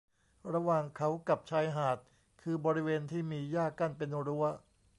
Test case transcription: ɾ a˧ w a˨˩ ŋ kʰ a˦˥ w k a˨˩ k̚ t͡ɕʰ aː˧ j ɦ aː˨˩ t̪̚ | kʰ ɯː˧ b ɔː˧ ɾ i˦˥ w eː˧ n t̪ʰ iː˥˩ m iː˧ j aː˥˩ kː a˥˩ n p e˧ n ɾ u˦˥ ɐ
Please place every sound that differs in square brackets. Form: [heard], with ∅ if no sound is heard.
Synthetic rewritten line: ɾ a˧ w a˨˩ ŋ kʰ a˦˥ w k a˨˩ [p̚] t͡ɕʰ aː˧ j ɦ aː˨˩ t̪̚ | kʰ ɯː˧ b ɔː˧ ɾ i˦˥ w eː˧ n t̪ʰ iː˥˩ m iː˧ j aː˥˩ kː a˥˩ n p e˧ n ɾ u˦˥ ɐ